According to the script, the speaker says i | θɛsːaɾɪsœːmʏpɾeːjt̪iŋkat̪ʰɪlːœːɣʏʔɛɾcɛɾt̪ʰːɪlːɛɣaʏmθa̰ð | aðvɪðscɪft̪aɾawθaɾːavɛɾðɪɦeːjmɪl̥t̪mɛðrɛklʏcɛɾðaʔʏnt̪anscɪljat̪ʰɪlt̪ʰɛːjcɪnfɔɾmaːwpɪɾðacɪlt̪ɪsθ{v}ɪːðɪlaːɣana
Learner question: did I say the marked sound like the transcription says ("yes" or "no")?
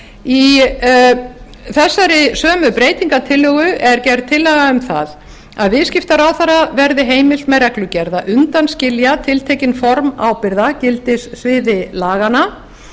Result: yes